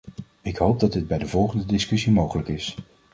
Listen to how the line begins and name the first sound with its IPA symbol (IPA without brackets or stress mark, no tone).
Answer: ɪ